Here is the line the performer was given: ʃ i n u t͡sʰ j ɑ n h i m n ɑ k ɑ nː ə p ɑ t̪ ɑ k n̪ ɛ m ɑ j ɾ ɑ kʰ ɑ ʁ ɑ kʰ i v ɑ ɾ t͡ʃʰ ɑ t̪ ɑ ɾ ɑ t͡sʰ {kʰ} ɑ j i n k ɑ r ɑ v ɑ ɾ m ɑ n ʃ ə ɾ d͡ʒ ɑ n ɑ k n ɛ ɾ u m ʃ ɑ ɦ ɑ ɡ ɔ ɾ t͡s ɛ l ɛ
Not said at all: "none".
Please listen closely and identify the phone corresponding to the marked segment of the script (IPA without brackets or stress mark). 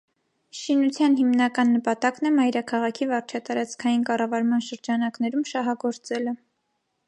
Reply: kʰ